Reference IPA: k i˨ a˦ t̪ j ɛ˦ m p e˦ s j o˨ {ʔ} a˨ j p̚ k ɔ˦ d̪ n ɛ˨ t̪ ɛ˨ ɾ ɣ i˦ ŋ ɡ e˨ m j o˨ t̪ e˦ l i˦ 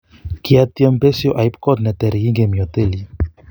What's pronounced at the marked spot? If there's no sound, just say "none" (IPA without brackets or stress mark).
ʔ